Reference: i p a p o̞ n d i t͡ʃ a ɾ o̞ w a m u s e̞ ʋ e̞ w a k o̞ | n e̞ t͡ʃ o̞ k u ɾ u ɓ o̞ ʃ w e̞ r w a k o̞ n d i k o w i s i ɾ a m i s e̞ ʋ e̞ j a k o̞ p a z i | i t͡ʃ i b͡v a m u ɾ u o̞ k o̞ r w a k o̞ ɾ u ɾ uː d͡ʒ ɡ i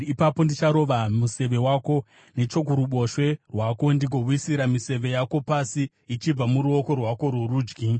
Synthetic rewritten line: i p a p o̞ n d i t͡ʃ a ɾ o̞ ʋ a m u s e̞ ʋ e̞ w a k o̞ | n e̞ t͡ʃ o̞ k u ɾ u ɓ o̞ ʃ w e̞ r w a k o̞ n d i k o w i s i ɾ a m i s e̞ ʋ e̞ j a k o̞ p a s i | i t͡ʃ i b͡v a m u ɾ u o̞ k o̞ r w a k o̞ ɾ u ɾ uː d͡ʒ ɡ i